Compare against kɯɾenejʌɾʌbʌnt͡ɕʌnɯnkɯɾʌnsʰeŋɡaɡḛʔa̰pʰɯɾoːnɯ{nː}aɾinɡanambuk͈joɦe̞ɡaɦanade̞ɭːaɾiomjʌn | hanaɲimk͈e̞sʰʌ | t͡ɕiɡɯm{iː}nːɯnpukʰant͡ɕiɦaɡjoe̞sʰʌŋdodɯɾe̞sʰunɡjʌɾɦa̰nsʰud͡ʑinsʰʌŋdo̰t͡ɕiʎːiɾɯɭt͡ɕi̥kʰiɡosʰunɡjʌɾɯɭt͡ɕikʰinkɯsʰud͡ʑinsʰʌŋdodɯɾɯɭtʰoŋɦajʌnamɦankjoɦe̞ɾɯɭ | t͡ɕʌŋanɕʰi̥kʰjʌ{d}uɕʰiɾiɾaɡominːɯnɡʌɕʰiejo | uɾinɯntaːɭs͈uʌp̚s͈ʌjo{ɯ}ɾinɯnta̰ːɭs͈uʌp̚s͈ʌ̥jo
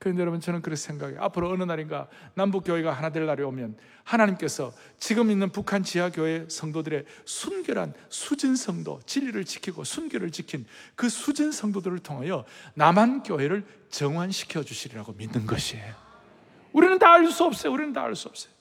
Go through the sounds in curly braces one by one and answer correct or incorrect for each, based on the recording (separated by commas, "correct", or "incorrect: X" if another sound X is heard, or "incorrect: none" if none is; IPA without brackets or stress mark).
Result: incorrect: n, incorrect: i, incorrect: d͡ʑ, incorrect: u